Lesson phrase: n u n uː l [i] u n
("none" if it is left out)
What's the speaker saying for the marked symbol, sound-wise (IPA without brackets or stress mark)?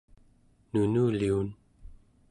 i